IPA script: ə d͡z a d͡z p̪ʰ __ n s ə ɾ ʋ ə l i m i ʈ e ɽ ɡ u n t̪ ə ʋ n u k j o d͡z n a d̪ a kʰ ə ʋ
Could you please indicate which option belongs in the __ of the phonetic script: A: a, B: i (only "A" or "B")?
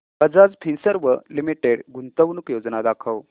B